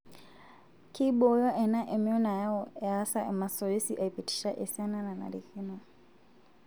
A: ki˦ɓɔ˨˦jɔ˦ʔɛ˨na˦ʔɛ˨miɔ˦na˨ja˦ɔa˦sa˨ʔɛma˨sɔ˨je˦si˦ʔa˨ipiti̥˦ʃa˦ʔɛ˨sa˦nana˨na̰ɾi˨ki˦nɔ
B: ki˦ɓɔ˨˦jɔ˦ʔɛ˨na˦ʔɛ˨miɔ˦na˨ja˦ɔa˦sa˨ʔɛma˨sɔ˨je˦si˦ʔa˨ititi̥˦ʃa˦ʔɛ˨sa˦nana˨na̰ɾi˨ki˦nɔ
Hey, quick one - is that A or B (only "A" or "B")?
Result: A